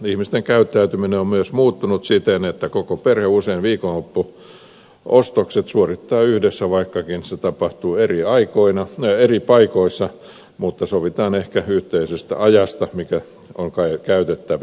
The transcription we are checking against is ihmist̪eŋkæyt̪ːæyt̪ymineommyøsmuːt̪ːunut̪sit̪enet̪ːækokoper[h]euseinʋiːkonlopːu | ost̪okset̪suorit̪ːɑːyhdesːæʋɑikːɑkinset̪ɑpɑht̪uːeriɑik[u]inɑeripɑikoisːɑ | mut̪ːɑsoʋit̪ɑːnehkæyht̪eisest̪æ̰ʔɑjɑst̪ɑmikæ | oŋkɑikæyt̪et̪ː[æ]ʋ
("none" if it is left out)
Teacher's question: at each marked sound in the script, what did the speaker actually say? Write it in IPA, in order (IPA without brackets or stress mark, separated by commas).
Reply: h, o, æ